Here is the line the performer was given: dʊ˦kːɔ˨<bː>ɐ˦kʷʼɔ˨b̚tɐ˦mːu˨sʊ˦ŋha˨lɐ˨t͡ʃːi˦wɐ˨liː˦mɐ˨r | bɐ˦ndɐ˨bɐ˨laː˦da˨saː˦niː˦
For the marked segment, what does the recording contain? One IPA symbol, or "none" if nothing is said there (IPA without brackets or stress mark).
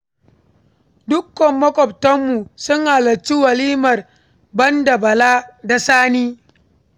mː